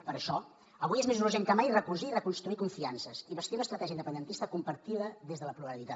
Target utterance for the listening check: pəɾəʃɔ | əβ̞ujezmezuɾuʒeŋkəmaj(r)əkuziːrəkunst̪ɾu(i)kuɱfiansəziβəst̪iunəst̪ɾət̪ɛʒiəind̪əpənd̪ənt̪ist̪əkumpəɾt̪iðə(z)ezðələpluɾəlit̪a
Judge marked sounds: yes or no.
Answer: yes, yes, no

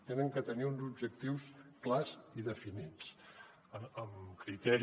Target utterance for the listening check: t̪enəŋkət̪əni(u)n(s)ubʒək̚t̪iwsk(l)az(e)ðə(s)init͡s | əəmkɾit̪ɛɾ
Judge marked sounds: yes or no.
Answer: yes, no, yes, no, no

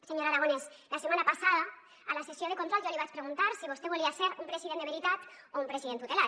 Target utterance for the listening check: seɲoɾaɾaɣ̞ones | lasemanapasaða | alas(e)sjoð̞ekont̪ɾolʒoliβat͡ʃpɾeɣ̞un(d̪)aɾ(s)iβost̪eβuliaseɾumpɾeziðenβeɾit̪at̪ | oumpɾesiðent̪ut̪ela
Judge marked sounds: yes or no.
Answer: yes, no, yes

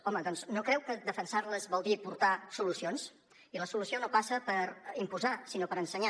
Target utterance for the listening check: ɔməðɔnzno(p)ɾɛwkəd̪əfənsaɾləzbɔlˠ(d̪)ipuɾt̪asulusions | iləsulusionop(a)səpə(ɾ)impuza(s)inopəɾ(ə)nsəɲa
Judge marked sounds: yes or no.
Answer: no, yes, yes, yes, yes, yes

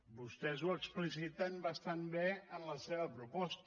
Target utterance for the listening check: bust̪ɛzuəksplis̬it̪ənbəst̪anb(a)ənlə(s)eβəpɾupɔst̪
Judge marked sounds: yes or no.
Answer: no, yes

